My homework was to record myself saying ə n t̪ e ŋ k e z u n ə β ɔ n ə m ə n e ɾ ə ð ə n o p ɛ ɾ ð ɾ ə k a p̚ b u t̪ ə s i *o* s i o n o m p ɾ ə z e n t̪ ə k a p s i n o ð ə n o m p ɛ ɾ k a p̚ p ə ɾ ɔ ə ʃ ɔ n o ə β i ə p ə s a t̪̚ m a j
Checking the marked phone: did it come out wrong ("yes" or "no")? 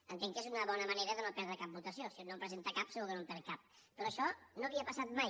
no